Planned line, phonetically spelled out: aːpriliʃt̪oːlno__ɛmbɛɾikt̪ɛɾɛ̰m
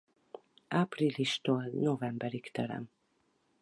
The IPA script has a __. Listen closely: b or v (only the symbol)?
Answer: v